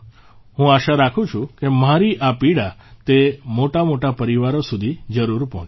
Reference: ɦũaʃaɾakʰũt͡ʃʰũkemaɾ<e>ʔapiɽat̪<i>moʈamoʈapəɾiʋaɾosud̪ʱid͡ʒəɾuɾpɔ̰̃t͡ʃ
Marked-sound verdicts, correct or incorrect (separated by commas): incorrect, incorrect